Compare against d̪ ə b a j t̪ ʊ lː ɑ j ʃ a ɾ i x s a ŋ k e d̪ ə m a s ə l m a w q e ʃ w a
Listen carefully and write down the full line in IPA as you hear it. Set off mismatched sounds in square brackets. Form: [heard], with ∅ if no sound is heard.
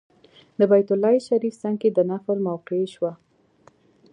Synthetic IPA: d̪ ə b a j t̪ ʊ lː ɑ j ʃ a ɾ i [f] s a ŋ k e d̪ ə [n] a [f] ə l m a w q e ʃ w a